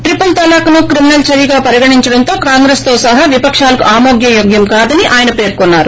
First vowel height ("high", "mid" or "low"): high